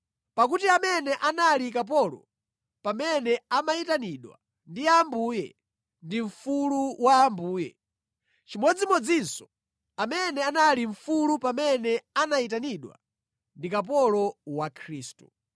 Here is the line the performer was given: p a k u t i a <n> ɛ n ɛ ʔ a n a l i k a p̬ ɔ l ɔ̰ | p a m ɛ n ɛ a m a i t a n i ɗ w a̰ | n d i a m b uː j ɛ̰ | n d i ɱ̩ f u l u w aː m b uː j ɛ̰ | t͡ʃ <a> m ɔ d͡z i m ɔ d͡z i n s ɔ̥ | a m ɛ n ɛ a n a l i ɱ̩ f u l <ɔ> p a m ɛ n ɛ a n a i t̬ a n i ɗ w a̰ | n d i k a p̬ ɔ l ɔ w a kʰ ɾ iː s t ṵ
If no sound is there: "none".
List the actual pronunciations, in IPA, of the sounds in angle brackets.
m, i, u

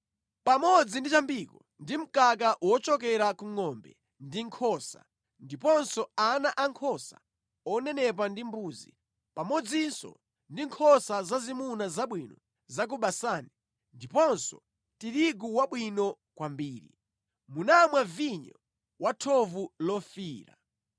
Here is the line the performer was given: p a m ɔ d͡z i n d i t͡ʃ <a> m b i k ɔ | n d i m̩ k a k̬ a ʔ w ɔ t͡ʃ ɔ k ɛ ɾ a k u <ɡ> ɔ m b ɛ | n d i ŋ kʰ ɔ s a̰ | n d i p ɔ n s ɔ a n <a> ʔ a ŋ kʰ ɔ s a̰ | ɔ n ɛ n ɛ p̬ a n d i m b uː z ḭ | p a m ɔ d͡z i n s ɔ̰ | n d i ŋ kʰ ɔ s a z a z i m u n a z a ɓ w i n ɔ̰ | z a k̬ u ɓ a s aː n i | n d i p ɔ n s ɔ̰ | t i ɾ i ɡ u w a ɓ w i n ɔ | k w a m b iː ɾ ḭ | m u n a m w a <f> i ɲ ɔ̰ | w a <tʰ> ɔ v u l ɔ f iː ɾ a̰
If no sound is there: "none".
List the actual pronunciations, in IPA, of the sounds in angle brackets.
a, ŋ, a, v, tʰ

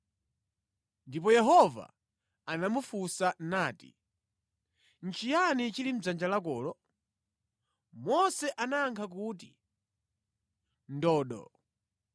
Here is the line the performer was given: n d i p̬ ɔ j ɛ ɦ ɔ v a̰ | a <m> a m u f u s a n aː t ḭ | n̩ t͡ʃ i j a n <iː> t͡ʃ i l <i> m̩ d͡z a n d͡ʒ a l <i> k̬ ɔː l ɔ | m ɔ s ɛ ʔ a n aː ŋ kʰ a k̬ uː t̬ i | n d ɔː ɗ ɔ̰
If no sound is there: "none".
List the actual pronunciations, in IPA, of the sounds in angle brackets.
n, i, i, a

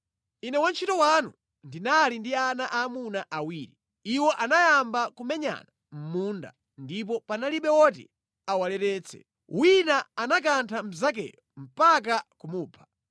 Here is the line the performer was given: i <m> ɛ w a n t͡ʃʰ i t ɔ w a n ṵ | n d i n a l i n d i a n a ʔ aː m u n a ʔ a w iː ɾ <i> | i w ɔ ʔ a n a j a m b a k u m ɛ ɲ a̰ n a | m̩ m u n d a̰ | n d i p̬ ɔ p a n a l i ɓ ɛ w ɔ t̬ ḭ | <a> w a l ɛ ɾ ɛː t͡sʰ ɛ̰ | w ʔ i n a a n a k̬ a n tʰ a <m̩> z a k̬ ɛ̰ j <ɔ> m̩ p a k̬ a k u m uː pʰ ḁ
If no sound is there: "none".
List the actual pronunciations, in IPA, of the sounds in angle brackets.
n, i, a, m̩, ɔ

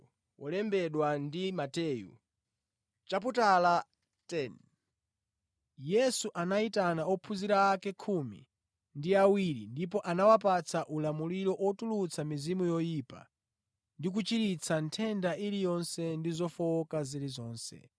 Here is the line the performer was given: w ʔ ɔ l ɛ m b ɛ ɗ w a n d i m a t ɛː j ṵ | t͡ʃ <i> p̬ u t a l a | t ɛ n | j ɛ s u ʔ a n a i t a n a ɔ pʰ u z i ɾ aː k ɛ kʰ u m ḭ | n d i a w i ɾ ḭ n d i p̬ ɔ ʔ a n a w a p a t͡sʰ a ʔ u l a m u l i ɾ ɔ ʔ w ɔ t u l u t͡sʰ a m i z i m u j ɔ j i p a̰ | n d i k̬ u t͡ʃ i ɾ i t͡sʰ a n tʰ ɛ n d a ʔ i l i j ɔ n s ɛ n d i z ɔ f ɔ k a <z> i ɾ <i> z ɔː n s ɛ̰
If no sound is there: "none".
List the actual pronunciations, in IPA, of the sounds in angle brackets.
a, z, i

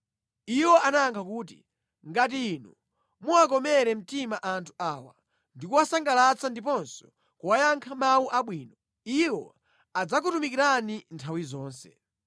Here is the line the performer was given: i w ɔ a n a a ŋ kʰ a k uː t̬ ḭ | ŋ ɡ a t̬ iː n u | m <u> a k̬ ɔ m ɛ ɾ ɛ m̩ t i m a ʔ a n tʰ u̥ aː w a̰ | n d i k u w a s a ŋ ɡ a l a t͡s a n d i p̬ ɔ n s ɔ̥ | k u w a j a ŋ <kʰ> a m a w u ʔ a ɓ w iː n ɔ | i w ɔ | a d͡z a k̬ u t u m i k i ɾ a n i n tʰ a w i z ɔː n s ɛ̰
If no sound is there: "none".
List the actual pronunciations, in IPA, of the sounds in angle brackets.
u, kʰ

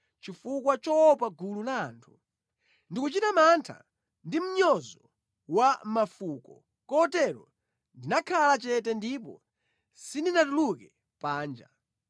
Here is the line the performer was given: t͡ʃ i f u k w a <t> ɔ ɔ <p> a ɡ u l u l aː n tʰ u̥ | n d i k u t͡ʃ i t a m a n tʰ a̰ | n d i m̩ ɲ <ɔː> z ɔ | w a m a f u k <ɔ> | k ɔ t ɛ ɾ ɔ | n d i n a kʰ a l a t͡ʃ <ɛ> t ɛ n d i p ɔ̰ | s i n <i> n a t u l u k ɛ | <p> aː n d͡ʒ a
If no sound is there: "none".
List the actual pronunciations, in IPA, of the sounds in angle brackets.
t͡ʃ, p, ɔ, ɔ, ɛ, i, p

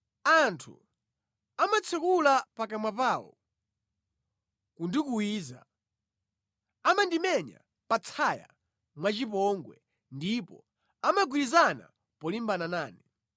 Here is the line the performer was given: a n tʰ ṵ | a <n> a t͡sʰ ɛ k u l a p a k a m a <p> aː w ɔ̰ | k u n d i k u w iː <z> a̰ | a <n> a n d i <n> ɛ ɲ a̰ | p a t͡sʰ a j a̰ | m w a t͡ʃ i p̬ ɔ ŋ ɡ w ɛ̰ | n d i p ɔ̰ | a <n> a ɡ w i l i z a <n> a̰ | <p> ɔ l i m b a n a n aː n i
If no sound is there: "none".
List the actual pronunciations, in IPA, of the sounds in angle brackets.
m, p, z, m, m, m, n, p

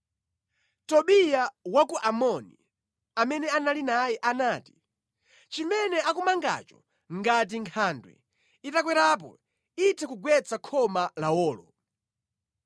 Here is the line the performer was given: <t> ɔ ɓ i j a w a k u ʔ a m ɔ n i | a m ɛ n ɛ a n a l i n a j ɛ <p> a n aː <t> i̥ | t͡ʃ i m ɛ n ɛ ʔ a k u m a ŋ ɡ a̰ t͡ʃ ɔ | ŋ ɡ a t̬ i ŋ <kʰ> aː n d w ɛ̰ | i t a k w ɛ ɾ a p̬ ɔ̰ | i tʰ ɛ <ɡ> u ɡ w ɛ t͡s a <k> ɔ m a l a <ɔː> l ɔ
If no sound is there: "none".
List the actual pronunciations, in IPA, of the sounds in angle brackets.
t, ʔ, t, kʰ, k, kʰ, ɔː

